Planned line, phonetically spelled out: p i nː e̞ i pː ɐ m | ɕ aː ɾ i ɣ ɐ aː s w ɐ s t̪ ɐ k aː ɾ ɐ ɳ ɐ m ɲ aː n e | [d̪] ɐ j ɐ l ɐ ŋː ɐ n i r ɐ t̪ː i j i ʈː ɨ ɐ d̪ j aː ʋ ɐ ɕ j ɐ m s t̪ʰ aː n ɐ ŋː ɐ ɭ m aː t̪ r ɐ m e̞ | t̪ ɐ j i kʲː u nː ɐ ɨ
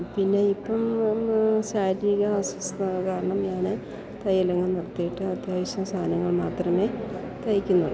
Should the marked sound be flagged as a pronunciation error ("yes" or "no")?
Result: yes